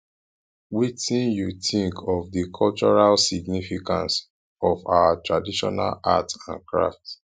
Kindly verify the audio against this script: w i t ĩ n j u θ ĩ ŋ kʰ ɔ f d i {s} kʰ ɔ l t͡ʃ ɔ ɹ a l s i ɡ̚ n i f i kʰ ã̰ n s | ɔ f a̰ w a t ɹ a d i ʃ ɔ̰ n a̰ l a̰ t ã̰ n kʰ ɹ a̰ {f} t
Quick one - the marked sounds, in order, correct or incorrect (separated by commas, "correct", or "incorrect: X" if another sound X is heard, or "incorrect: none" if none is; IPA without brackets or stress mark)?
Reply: incorrect: none, correct